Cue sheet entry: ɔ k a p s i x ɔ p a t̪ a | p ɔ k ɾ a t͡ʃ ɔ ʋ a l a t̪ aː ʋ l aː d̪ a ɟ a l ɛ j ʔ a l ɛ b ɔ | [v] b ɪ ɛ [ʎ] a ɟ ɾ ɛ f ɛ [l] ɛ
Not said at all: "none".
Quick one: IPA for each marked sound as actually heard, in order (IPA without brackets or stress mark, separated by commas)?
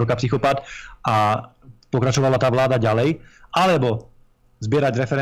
z, ɾ, ɾ